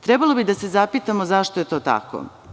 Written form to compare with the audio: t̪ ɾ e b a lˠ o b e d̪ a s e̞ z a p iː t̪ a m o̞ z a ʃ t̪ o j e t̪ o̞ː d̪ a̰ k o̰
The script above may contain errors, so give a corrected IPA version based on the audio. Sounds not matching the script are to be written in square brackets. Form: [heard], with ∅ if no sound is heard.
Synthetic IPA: t̪ ɾ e b a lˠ o b [i] d̪ a s e̞ z a p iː t̪ a m o̞ z a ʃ t̪ o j e t̪ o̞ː [t̪] a̰ k o̰

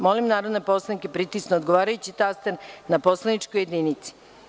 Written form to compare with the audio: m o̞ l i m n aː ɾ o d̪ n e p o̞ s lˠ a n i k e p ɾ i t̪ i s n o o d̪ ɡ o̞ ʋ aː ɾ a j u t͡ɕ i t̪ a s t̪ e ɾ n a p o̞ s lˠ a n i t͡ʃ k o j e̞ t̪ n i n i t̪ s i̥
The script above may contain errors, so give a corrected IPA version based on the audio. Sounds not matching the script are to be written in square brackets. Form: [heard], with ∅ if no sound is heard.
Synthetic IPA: m o̞ l i m n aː ɾ o d̪ n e p o̞ s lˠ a n i k e p ɾ i t̪ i s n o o d̪ ɡ o̞ ʋ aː ɾ a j u t͡ɕ i t̪ a s t̪ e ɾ n a p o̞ s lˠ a n i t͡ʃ k o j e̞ [d̪] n i n i t̪ s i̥

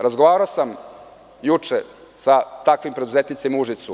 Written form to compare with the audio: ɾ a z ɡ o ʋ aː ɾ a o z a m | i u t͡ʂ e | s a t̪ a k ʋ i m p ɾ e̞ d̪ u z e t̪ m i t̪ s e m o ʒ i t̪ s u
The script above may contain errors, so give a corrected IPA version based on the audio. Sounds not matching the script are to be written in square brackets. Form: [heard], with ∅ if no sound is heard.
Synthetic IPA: ɾ a z ɡ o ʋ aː ɾ a o [s] a m | [j] u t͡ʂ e | s a t̪ a k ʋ i m p ɾ e̞ d̪ u z e t̪ [n] i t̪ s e m [u] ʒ i t̪ s u

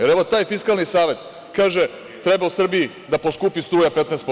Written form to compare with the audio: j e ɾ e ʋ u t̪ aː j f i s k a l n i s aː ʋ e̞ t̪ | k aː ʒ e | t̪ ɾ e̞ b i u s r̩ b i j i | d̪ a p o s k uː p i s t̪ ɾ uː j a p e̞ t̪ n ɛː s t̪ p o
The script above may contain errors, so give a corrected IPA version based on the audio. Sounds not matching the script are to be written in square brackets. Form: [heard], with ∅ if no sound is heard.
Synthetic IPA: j e ɾ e ʋ [o] t̪ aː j f i s k a l n i s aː ʋ e̞ t̪ | k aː ʒ e | t̪ ɾ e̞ b [a] u s r̩ b i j i | d̪ a p o s k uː p i s t̪ ɾ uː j a p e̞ t̪ n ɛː s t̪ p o

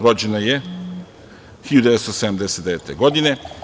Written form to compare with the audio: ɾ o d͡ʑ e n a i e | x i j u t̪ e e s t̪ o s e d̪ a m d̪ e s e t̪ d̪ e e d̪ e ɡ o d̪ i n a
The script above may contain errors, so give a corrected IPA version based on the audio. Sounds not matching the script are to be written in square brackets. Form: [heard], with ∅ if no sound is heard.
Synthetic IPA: ɾ o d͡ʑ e n a [j] e | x i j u [d̪] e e s t̪ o s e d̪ a m d̪ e s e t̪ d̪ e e [t̪] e ɡ o d̪ i n [e]

